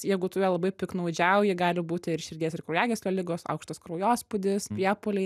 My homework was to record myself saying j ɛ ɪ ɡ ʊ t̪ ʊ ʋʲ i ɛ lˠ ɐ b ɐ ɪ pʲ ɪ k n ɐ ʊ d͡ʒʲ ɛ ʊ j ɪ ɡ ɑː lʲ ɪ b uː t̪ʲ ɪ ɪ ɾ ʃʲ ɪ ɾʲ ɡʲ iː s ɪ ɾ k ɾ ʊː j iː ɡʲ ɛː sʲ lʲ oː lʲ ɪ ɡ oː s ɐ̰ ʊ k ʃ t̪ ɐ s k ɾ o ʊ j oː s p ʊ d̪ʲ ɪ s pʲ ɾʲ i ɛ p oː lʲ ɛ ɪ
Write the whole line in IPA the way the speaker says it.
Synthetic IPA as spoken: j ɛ ɪ ɡ ʊ t̪ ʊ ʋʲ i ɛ lˠ ɐ b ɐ ɪ pʲ ɪ k n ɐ ʊ d͡ʒʲ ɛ ʊ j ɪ ɡ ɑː lʲ ɪ b uː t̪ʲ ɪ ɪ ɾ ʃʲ ɪ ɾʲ ɡʲ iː s ɪ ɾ k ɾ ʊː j æː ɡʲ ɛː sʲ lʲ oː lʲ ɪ ɡ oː s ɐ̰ ʊ k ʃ t̪ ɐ s k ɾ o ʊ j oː s p ʊ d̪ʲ ɪ s pʲ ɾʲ i ɛ p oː lʲ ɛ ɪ